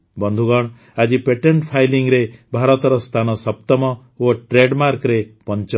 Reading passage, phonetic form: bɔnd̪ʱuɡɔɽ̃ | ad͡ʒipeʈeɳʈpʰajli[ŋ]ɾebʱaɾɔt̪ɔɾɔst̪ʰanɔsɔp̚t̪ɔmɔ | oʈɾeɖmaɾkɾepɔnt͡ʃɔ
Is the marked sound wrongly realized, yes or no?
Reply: no